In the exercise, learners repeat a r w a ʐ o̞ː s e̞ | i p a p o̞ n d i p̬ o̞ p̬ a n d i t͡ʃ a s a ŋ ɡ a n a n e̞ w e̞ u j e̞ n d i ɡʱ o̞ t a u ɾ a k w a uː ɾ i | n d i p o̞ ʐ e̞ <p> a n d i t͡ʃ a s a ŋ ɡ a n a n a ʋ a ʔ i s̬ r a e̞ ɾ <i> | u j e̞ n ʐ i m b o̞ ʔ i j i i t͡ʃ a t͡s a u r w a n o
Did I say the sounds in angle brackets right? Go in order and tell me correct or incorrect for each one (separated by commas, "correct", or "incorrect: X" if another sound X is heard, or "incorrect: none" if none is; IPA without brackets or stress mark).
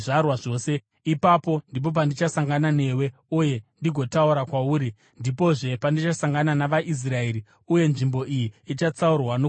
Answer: correct, correct